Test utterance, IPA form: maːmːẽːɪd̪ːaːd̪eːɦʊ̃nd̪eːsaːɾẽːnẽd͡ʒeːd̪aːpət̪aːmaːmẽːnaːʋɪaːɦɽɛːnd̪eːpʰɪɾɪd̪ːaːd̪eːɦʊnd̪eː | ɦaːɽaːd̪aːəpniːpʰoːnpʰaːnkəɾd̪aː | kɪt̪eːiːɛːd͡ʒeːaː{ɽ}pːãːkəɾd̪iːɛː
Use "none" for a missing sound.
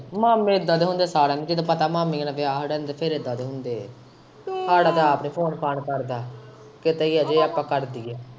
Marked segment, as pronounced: none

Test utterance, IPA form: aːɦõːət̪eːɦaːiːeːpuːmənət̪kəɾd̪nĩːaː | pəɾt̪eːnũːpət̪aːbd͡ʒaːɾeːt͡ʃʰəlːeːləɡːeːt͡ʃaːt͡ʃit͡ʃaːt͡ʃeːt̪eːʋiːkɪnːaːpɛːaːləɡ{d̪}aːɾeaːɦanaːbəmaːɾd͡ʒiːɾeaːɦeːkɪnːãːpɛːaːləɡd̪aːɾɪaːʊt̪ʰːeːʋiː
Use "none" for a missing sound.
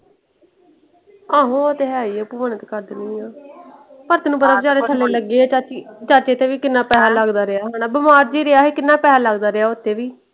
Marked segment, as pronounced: d̪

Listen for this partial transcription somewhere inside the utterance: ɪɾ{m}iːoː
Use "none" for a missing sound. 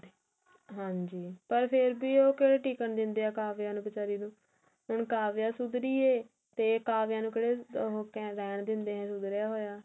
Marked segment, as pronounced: b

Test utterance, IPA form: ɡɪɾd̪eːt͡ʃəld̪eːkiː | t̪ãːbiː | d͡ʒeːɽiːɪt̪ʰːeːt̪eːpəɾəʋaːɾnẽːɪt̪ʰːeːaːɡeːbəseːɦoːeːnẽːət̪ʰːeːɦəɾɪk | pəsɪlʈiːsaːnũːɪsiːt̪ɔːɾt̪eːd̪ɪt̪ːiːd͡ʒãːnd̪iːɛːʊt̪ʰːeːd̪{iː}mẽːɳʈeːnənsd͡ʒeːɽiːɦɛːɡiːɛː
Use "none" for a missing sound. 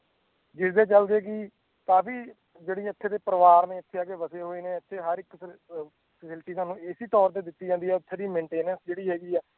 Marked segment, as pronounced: iː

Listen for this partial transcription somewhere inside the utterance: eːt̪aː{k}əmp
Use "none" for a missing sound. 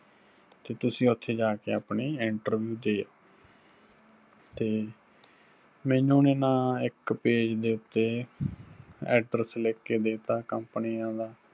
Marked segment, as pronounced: k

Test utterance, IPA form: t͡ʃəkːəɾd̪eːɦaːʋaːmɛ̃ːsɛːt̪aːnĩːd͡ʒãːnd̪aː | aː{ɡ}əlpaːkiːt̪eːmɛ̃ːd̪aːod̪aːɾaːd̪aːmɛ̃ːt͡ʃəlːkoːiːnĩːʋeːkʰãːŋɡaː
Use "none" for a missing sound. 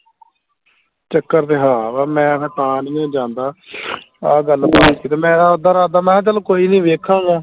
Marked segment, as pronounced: ɡ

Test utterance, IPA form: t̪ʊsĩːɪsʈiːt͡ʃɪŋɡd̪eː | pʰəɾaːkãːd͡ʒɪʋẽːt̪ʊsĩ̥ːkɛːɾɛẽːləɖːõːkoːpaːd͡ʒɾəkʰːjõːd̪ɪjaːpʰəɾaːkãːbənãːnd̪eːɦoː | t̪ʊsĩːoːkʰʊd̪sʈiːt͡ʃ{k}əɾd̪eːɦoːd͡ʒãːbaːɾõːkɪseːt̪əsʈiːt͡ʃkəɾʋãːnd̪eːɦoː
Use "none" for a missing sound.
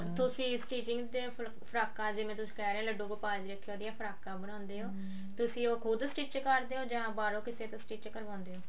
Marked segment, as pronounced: k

